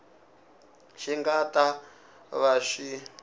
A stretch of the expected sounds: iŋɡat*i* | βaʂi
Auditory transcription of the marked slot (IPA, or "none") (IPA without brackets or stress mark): a